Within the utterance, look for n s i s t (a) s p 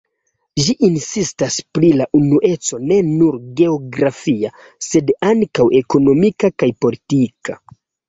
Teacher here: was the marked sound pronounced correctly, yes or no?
yes